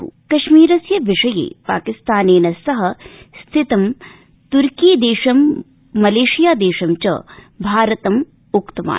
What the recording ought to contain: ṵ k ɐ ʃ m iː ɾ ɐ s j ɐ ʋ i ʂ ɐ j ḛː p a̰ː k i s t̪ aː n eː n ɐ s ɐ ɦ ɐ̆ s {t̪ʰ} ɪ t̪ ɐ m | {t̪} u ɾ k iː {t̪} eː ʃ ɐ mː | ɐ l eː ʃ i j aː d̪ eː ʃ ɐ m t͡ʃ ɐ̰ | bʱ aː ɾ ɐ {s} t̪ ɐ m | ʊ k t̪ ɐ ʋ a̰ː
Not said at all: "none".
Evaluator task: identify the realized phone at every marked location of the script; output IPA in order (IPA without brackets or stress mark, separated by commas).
t̪ʰ, t̪, d̪, none